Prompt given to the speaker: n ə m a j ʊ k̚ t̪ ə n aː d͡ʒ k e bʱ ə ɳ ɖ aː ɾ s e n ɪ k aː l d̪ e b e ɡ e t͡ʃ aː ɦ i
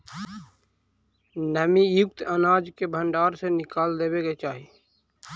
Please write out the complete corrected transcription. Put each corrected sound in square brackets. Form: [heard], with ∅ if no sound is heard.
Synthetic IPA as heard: n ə m [i] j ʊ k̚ t̪ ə n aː d͡ʒ k e bʱ ə ɳ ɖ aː ɾ s e n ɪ k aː l d̪ e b e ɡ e t͡ʃ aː ɦ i